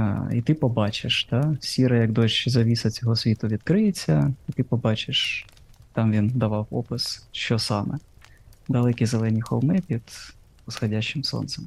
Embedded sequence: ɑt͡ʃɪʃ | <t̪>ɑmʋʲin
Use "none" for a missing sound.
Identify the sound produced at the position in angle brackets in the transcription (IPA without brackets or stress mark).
t̪